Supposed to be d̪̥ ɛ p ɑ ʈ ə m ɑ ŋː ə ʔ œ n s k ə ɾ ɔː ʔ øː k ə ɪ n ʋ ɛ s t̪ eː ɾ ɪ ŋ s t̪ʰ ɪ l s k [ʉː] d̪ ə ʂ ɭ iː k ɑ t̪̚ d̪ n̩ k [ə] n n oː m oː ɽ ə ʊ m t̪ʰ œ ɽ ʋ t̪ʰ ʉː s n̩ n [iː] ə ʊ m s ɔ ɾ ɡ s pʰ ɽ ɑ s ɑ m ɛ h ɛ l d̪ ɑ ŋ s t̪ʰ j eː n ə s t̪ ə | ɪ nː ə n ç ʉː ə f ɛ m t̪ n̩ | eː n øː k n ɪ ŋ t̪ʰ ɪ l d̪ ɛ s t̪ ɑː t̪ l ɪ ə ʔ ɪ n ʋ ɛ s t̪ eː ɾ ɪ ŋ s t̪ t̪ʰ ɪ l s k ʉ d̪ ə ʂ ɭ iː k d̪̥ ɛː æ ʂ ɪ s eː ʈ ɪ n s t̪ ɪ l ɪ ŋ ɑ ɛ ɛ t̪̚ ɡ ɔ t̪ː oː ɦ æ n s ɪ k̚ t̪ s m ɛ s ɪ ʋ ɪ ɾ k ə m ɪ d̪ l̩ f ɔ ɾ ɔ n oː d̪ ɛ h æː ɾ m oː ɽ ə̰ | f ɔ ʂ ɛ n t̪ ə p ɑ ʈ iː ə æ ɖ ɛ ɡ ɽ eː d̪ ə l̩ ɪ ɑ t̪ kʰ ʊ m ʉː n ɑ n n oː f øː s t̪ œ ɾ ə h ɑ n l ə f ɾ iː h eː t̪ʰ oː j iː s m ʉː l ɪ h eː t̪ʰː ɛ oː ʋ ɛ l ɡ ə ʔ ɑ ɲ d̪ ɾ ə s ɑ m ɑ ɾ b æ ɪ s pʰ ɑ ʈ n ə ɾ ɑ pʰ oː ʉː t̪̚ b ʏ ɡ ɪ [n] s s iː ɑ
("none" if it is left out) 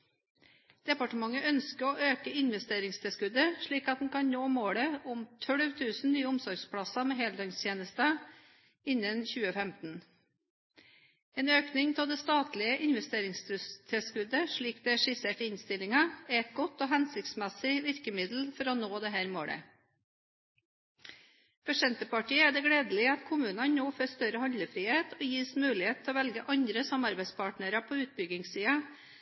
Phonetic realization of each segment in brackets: ʉ, ɑ, yː, ŋ

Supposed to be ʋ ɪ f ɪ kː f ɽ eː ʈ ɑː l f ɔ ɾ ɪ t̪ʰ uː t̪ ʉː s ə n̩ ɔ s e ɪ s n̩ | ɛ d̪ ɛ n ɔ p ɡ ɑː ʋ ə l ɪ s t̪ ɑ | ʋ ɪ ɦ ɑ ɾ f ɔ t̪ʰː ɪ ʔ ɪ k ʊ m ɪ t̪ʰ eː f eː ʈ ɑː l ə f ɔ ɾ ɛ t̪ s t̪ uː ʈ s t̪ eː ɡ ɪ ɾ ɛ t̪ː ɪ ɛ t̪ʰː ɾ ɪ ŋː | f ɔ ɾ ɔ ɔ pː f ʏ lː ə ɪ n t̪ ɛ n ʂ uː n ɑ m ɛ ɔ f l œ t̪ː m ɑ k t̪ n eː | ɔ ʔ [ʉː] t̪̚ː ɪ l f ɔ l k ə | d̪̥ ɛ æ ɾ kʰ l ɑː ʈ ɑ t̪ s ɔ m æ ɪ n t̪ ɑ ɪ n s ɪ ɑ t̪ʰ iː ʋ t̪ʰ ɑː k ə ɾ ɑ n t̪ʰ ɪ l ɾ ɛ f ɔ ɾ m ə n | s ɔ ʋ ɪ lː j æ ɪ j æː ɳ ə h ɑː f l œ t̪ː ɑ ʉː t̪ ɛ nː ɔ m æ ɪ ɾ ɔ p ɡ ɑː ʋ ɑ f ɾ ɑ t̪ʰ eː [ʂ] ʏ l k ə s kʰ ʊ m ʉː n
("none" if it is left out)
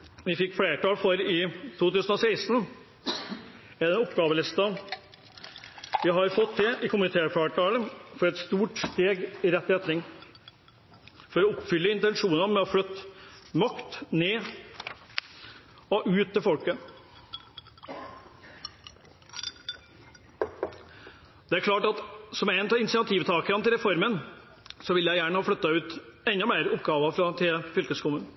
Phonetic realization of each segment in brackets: ʉː, f

